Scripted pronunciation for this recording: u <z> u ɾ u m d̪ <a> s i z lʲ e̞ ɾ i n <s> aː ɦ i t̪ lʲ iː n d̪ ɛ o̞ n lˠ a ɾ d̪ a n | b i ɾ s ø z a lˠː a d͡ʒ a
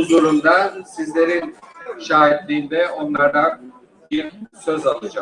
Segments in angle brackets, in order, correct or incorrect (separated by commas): correct, correct, incorrect